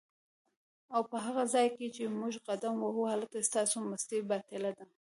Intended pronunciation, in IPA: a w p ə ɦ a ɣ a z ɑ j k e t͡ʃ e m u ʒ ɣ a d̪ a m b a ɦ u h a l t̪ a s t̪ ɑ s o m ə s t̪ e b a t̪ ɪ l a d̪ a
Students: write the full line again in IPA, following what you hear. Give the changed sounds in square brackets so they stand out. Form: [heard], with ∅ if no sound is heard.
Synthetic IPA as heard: a w p ə ɦ a ɣ a z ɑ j k e t͡ʃ e m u ʒ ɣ a d̪ a m [w] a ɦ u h a l t̪ a s t̪ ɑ s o m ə s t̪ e b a t̪ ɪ l a d̪ a